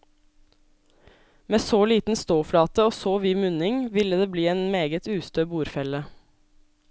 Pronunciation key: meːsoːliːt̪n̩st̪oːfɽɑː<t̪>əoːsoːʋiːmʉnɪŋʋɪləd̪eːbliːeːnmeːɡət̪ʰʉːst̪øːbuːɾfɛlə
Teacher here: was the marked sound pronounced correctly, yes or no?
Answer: yes